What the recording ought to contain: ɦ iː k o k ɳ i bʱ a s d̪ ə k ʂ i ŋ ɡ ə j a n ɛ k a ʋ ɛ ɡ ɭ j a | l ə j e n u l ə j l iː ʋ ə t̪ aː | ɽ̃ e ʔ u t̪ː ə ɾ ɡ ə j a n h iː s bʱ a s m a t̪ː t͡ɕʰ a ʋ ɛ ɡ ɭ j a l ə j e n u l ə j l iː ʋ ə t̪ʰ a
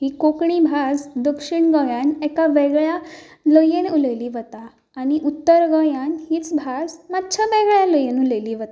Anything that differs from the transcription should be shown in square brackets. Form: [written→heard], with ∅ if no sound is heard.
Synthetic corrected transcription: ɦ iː k o k ɳ i bʱ a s d̪ ə k ʂ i [ŋ→ɳ] ɡ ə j a n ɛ k a ʋ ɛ ɡ ɭ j a | l ə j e n u l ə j l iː ʋ ə t̪ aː | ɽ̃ [e→i] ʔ u t̪ː ə ɾ ɡ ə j a n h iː [s→t͡s] bʱ a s m a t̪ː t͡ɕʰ a ʋ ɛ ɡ ɭ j a l ə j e n u l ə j l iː ʋ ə [t̪ʰ→t̪] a